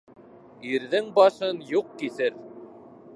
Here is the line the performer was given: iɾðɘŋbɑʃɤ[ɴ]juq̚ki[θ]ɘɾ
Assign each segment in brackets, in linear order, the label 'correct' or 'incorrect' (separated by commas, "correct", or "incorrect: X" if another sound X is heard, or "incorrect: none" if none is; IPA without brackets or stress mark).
incorrect: n, correct